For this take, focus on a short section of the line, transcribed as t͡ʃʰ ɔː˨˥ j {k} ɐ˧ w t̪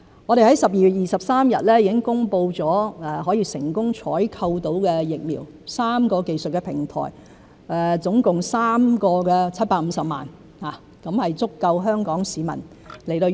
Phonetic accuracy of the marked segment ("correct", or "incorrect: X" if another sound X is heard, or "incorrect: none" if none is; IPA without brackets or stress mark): incorrect: kʰ